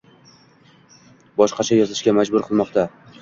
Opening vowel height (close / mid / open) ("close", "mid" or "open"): open